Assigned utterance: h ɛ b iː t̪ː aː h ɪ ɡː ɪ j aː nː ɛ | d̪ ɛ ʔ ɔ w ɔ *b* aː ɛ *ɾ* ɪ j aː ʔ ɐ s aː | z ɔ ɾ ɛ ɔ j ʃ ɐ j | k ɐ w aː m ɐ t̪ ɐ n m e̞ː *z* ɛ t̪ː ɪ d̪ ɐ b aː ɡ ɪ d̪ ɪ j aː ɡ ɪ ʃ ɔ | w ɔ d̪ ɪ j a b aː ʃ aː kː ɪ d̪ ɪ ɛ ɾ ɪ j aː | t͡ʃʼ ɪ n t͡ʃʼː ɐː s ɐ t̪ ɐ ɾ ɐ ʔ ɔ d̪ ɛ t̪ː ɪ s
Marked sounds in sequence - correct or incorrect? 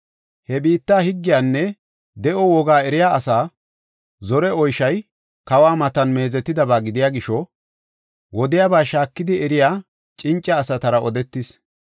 incorrect: ɡ, correct, correct

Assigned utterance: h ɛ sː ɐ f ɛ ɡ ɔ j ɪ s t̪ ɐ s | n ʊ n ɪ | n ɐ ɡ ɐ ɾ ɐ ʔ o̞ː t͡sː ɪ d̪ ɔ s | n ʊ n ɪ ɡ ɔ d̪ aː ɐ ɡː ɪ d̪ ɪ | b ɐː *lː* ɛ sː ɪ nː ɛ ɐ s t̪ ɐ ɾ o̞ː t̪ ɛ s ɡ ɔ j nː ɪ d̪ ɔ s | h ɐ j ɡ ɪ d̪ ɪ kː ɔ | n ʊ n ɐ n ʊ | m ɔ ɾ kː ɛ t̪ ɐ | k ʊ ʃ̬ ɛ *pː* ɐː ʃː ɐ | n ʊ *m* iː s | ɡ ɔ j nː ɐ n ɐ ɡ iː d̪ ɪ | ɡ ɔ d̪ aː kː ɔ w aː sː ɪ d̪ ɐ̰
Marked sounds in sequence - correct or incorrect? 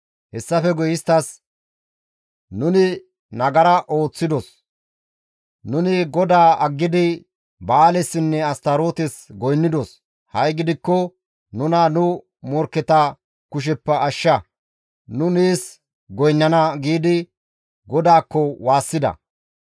incorrect: l, correct, incorrect: n

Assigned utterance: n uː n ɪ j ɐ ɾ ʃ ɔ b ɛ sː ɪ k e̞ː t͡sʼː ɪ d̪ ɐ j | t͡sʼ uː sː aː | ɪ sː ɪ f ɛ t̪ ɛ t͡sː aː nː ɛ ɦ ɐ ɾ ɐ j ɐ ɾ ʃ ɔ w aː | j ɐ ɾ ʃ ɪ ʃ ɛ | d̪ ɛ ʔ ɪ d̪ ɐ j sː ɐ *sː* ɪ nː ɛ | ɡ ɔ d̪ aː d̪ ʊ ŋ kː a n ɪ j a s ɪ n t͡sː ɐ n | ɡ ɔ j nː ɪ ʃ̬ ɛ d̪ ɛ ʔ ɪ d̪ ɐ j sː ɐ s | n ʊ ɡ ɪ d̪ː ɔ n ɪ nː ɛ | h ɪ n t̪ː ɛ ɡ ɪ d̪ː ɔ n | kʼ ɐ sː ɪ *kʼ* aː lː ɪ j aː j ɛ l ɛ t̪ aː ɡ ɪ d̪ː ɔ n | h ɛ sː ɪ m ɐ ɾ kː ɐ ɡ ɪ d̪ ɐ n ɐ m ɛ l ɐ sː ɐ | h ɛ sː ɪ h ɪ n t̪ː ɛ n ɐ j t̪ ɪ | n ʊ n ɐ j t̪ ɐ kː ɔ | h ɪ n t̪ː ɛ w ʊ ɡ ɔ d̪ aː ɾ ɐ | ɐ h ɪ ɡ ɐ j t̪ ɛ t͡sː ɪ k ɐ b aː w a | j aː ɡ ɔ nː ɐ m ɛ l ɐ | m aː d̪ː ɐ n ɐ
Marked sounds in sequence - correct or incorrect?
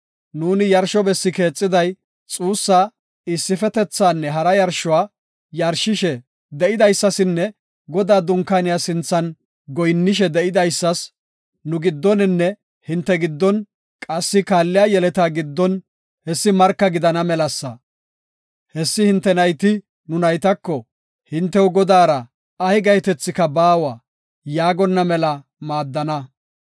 incorrect: s, incorrect: k

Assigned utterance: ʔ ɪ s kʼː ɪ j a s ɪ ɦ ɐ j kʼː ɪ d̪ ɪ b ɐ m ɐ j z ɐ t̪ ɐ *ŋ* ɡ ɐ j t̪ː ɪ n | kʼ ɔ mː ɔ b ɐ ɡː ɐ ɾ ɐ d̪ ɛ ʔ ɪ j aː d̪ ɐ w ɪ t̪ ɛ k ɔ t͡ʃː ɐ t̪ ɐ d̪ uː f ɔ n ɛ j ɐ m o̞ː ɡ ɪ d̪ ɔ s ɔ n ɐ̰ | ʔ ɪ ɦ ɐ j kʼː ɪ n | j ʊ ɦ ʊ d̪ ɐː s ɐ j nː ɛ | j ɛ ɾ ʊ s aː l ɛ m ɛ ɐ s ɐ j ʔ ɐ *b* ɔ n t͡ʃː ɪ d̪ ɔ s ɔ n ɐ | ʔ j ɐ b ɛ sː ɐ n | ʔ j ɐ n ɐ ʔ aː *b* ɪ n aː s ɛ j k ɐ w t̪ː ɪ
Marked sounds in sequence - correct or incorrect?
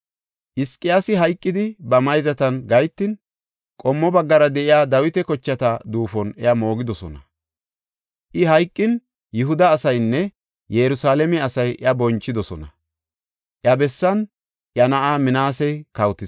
incorrect: n, correct, incorrect: m

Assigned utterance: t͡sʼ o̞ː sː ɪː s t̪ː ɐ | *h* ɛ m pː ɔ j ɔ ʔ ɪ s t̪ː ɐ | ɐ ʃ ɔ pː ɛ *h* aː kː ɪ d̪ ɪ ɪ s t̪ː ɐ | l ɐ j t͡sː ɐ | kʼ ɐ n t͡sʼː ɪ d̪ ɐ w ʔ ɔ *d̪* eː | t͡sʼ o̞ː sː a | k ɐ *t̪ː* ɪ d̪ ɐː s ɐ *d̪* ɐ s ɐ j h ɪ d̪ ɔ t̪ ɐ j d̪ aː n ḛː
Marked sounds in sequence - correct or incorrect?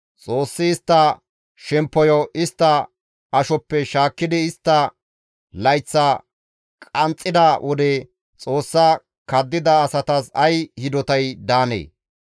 incorrect: ʃ, incorrect: ʃ, correct, incorrect: d̪ː, incorrect: t̪

